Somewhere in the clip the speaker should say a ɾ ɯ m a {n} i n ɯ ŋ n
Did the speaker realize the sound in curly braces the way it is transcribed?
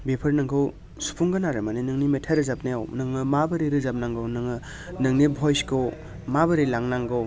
yes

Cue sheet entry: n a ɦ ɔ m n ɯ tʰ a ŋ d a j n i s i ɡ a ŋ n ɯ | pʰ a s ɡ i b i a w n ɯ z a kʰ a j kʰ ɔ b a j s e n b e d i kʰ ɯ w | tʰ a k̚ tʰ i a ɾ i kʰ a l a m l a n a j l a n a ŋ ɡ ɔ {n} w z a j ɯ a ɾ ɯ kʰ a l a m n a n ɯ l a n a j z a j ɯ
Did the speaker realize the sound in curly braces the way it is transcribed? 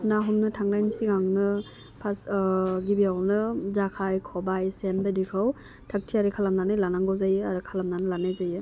no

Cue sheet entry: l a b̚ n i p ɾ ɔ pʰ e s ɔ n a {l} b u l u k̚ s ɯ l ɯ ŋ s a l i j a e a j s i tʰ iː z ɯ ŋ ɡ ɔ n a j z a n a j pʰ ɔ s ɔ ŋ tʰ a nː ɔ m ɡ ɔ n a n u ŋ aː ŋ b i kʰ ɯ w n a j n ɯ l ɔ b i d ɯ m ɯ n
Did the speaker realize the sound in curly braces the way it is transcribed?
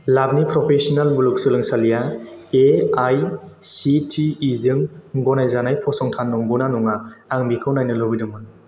yes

